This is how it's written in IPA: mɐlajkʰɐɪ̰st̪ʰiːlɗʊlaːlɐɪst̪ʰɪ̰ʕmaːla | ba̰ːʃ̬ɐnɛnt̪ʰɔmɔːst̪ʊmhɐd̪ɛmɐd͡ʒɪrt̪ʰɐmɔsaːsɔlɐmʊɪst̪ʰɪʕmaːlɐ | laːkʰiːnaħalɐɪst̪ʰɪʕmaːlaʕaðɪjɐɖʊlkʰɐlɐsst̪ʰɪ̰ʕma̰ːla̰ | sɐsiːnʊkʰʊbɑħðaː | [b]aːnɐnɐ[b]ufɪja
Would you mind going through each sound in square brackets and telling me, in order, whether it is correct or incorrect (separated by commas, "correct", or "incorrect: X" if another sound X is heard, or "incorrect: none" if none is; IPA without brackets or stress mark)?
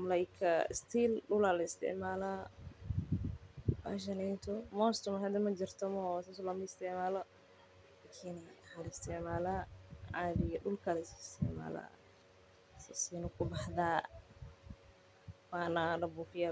incorrect: w, correct